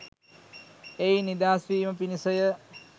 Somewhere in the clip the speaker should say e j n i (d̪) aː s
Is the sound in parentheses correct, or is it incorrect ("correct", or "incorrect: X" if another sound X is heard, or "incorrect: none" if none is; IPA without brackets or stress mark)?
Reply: correct